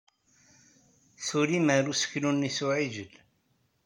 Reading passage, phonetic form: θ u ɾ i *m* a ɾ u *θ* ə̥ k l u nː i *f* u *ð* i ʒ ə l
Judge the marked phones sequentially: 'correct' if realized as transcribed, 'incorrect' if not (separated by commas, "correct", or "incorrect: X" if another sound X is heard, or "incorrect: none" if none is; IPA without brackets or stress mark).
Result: correct, incorrect: s, incorrect: s, incorrect: ʕ